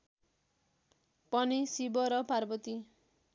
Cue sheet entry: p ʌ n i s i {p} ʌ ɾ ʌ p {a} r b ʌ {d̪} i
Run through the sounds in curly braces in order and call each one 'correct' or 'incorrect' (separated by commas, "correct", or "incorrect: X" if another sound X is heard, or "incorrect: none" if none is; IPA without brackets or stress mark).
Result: incorrect: b, correct, incorrect: t̪